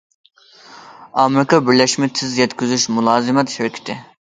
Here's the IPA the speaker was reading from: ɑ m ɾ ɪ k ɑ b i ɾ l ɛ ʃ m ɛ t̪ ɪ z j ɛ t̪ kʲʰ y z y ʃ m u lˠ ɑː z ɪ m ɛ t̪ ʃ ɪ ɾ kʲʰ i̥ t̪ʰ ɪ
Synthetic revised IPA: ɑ m ɾ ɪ k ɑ b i ɾ l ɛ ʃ m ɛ t̪ʰ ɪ z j ɛ t̪ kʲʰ y z y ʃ m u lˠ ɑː z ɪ m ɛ t̪ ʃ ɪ ɾ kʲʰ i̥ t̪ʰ ɪ